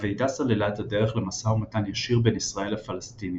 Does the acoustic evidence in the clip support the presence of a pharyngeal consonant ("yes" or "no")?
no